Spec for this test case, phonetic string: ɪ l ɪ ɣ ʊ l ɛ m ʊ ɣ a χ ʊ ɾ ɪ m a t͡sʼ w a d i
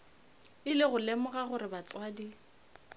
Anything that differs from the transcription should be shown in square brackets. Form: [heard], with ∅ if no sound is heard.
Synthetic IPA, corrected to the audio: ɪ l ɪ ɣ ʊ l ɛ m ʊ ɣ a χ ʊ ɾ ɪ [b] a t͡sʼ w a d i

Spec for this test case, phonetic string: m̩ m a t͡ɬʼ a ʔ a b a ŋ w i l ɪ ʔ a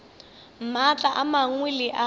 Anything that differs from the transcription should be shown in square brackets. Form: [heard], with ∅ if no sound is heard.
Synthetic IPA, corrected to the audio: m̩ m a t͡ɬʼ a ʔ a [m] a ŋ w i l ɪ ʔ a

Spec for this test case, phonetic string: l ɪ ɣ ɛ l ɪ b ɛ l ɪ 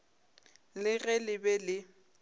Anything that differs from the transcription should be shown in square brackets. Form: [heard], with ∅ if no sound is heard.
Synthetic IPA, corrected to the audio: l ɪ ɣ ɛ l ɪ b ɛ l ɪ

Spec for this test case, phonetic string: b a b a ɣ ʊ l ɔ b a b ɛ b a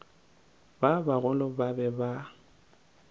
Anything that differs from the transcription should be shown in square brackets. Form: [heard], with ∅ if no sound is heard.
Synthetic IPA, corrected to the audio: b a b a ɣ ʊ l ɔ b a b ɛ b a

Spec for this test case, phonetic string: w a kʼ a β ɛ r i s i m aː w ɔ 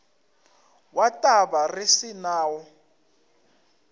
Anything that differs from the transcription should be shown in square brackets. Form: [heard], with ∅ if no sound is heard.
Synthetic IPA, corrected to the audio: w a [tʼ] a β [a] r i s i [n] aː w ɔ

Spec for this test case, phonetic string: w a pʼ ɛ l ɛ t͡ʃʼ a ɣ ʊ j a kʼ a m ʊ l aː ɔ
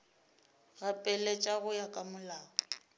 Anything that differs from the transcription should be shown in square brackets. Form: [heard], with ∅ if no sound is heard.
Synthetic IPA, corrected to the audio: [ɣ] a pʼ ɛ l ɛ t͡ʃʼ a ɣ ʊ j a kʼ a m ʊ l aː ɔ

